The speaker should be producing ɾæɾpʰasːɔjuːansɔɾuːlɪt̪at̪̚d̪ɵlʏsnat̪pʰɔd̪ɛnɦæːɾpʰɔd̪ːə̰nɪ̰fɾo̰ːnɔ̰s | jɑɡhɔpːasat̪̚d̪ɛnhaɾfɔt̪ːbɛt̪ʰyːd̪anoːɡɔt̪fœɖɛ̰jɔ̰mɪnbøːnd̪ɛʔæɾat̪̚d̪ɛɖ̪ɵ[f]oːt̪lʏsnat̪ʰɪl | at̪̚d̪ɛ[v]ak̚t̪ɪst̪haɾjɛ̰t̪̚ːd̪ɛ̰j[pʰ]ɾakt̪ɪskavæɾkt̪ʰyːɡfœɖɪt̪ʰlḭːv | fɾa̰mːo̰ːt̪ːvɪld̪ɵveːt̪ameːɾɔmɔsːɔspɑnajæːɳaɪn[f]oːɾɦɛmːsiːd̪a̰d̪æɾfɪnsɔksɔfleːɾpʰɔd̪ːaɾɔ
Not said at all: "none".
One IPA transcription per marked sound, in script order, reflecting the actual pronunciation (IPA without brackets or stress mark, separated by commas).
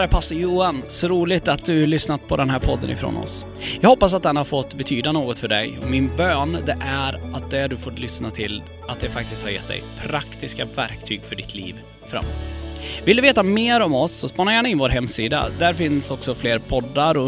f, f, pʰ, v